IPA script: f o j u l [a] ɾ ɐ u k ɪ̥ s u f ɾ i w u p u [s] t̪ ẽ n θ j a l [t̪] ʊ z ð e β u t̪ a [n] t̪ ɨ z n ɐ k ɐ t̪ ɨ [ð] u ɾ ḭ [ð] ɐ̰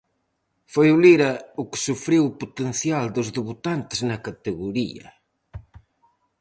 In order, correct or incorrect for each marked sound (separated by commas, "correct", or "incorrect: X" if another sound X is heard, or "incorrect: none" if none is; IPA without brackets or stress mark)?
incorrect: i, incorrect: none, incorrect: d̪, correct, incorrect: ɣ, incorrect: none